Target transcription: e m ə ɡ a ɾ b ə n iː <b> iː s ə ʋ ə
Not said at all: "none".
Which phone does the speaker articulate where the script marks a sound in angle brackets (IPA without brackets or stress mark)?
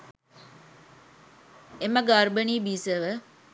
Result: b